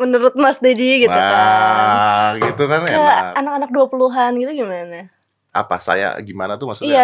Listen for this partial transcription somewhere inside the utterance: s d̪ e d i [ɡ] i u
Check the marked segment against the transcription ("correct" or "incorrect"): correct